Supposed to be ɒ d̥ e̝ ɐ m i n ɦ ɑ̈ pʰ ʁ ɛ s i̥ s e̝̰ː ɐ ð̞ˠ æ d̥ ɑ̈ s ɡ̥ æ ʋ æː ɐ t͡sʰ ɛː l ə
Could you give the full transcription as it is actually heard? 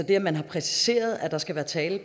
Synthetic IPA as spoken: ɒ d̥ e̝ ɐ m æ n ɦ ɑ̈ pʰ ʁ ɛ s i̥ s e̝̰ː ɐ ð̞ˠ æ d̥ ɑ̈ s ɡ̥ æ ʋ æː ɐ t͡sʰ ɛː l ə

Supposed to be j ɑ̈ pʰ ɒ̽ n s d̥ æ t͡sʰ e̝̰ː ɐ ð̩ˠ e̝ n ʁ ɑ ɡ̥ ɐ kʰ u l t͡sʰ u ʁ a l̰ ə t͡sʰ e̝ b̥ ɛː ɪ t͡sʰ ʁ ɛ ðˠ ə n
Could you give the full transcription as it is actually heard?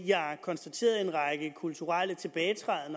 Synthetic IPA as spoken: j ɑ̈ kʰ ɒ̽ n s d̥ æ t͡sʰ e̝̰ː ɐ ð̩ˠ e̝ n ʁ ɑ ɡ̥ ə kʰ u l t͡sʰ u ʁ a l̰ ə t͡sʰ e̝ b̥ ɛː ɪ t͡sʰ ʁ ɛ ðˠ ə n

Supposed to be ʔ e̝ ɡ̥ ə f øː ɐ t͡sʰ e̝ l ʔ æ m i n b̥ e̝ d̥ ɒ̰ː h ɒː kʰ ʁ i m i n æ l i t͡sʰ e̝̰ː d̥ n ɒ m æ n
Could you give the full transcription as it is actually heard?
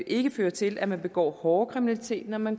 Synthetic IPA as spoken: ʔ e̝ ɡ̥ ə f øː ɐ t͡sʰ e̝ l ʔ æ m æ n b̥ e̝ ɡ̥ ɒ̰ː h ɒː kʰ ʁ i m i n æ l i t͡sʰ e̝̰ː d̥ n ɒ m æ n

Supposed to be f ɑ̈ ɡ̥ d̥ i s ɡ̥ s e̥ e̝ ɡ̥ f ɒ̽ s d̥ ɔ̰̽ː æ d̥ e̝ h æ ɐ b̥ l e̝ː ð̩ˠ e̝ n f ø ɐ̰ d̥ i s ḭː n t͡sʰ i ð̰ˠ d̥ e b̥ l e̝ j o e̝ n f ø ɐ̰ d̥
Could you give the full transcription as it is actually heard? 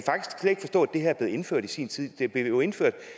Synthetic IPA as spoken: f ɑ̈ ɡ̥ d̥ i s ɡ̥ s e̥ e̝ ɡ̥ f ɒ̽ s d̥ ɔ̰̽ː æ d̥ e̝ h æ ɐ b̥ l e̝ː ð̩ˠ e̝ n f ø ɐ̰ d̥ i s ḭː n t͡sʰ i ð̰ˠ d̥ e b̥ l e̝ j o e̝ n f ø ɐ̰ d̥

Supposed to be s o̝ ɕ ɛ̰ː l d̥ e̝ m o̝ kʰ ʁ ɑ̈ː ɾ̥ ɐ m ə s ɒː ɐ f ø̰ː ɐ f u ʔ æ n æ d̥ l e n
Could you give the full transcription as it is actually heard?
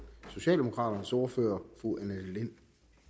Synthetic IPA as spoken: s o̝ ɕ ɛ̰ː l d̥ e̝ m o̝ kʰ ʁ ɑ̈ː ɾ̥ ɐ n ə s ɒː ɐ f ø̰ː ɐ f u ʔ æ n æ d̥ l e n

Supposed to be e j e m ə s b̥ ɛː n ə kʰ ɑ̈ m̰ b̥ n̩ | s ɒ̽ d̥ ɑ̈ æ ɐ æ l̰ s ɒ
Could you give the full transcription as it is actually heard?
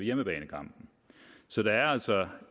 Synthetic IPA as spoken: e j e m ə b̥ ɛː n ə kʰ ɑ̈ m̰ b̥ n̩ | s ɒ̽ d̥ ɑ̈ æ ɐ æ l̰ s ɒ

